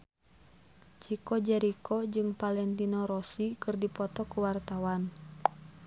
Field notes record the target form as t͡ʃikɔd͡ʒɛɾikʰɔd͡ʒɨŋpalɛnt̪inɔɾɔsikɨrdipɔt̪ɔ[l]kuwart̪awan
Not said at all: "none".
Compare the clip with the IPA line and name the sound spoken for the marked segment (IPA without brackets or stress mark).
none